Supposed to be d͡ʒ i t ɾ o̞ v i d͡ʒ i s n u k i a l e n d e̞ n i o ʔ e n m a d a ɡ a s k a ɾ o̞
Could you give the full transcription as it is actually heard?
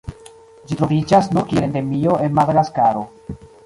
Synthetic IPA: d͡ʒ i t ɾ o̞ v i d͡ʒ a s n u k i e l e n d e̞ m i o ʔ e n m a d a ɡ a s k a ɾ o̞